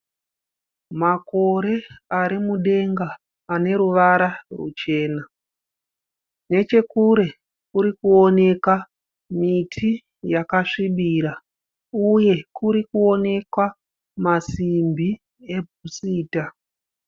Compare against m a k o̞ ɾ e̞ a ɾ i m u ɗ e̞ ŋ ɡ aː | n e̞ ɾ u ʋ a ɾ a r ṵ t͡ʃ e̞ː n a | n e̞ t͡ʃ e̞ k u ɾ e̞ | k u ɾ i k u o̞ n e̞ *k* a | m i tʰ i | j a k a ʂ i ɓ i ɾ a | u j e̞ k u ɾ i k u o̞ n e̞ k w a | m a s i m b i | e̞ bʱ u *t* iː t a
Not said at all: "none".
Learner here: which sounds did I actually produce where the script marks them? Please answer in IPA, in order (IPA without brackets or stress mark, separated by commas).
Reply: k, s